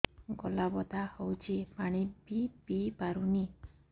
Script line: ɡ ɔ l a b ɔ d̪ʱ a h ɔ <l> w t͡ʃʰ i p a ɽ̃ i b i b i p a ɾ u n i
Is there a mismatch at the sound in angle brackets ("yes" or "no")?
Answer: yes